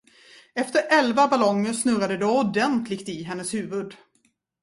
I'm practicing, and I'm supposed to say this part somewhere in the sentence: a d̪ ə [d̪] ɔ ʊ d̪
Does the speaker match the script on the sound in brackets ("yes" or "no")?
yes